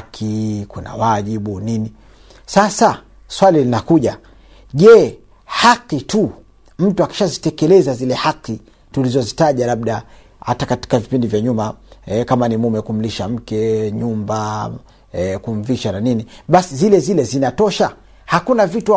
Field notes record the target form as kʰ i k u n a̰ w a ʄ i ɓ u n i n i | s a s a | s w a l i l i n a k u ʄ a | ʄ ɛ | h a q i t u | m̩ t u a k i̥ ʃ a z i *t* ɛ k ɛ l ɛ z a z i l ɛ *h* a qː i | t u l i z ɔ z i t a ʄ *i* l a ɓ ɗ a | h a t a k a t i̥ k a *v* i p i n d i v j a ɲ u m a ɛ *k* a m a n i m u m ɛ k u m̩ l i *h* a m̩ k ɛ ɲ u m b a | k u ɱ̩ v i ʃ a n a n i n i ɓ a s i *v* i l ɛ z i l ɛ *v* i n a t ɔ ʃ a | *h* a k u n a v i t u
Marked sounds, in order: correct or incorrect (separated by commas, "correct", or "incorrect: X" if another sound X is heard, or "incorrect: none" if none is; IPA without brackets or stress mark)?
correct, correct, incorrect: a, correct, correct, incorrect: ʃ, incorrect: z, incorrect: z, correct